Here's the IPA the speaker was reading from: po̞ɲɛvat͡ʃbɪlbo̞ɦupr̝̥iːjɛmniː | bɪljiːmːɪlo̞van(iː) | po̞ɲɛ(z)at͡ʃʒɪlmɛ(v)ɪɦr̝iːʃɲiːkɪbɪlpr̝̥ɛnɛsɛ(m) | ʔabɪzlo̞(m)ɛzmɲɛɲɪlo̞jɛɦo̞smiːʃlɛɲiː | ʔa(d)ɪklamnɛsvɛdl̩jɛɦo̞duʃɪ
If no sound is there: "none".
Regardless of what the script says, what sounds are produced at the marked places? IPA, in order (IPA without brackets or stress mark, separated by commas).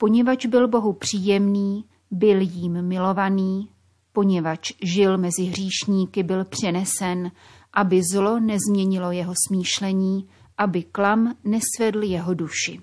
iː, v, z, n, n, b